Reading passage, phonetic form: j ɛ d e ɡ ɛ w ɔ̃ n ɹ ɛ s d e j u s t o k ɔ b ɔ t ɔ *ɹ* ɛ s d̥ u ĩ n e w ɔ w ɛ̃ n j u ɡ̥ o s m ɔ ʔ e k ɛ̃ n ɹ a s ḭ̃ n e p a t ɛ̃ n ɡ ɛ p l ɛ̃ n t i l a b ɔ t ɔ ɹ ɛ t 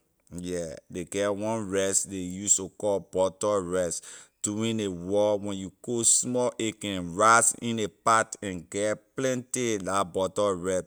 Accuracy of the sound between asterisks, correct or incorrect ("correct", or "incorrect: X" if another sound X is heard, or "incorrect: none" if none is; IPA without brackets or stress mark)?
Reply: correct